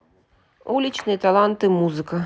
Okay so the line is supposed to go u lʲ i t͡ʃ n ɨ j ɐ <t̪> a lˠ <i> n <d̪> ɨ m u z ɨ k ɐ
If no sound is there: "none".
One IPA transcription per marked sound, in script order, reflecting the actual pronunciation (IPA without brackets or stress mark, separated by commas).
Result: t̪, a, t̪